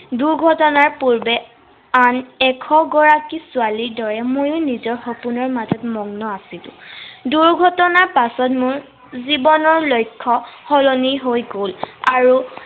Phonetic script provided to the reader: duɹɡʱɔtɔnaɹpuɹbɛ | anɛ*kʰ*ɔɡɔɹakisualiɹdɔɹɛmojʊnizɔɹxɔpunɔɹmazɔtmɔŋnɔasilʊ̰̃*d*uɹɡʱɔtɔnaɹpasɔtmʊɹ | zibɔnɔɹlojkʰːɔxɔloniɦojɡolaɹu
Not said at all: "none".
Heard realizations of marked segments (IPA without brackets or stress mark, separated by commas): kʰ, d